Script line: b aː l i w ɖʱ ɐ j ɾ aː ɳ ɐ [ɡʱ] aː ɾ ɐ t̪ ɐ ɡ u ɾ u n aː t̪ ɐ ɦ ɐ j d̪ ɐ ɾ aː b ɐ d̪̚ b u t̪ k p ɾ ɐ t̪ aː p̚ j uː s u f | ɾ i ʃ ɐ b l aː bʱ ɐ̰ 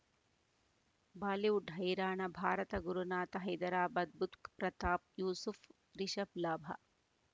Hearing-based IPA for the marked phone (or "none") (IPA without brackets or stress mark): bʱ